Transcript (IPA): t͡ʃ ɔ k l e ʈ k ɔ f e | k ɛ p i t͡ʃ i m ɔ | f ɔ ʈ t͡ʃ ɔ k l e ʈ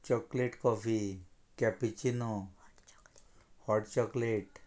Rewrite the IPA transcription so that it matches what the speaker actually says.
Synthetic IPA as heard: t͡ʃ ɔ k l e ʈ k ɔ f i | k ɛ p i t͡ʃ i n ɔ | h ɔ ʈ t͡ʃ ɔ k l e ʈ